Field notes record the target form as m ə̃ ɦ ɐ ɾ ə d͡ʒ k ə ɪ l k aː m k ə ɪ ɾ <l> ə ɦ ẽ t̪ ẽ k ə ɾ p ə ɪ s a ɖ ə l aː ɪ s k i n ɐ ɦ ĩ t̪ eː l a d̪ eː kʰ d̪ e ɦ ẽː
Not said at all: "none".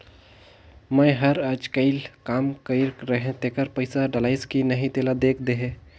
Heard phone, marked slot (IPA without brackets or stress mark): ɾ